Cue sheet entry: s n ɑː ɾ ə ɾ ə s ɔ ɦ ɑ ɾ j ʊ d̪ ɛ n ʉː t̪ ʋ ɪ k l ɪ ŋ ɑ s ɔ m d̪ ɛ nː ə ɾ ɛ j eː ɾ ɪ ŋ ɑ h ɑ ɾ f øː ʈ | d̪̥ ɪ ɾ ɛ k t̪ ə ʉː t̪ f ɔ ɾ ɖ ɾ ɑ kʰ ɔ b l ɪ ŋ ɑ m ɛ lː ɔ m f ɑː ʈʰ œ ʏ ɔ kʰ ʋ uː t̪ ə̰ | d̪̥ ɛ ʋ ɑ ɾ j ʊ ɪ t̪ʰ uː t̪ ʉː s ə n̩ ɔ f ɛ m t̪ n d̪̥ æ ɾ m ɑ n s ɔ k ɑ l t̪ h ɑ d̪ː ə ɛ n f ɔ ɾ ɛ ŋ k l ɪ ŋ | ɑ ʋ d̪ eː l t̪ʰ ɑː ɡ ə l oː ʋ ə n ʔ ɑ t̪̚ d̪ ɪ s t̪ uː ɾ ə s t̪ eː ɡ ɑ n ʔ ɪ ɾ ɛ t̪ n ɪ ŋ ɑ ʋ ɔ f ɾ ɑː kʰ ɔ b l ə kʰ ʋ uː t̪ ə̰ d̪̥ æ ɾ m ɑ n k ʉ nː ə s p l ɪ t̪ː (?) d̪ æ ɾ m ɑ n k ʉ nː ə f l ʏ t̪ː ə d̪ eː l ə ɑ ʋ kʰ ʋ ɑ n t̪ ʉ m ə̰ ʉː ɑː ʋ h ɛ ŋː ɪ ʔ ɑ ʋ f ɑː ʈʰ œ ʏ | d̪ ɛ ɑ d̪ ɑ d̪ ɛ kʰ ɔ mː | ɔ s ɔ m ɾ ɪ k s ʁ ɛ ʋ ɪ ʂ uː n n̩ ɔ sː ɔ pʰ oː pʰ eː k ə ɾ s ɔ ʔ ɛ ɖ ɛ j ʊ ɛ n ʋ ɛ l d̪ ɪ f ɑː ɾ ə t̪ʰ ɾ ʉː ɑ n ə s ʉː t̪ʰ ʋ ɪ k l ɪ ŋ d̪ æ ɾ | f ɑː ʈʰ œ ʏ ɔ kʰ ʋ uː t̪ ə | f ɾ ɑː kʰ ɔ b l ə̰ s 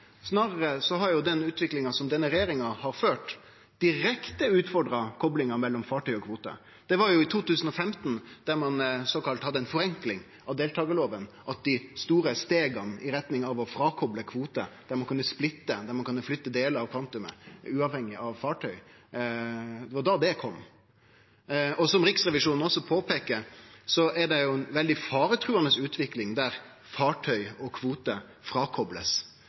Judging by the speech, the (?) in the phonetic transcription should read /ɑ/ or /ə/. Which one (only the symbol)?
ə